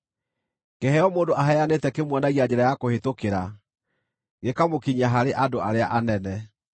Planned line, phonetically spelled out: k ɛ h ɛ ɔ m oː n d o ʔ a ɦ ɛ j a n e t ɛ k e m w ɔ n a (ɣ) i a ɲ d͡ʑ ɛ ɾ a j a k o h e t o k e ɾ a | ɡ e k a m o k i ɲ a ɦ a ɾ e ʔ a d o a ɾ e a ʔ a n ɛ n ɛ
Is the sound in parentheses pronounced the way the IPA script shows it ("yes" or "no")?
yes